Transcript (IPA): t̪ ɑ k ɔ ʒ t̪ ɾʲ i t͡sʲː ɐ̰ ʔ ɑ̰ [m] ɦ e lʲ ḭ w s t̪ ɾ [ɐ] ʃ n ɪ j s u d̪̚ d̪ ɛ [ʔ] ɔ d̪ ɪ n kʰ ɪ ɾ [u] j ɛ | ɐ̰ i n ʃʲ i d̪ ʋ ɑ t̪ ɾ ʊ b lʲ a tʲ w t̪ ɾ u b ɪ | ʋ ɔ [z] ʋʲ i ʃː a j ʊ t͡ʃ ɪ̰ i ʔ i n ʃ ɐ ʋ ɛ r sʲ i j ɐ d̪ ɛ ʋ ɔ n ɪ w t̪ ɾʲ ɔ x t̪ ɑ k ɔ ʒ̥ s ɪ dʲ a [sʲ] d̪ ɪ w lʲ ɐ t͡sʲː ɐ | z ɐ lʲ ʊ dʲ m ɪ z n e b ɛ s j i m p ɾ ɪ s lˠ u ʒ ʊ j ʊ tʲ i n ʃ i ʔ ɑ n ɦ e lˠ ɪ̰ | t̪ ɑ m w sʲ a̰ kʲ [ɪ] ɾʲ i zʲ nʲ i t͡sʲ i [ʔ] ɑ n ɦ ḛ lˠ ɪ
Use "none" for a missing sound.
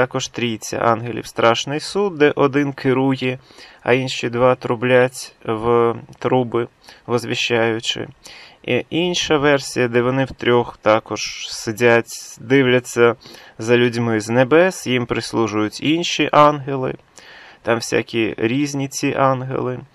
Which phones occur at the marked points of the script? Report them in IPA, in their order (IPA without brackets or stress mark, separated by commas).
n, ɑ, ʔ, u, z, tʲ, i, ʔ